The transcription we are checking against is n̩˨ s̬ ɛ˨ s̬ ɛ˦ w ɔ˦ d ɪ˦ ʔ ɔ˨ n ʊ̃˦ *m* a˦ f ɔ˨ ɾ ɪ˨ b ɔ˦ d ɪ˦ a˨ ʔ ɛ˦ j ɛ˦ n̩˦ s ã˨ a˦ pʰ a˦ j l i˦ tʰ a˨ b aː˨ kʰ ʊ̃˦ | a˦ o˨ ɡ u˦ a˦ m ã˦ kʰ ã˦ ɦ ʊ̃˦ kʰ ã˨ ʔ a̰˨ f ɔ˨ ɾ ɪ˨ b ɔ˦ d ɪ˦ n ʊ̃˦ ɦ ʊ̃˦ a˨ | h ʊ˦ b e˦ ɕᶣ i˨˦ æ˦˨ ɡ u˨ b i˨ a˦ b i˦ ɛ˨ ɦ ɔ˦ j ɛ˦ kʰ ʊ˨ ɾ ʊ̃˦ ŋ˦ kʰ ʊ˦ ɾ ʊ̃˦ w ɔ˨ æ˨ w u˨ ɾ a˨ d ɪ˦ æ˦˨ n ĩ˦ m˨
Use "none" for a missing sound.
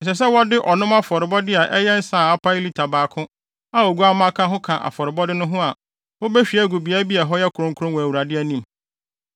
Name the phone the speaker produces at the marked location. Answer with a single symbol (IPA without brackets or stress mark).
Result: m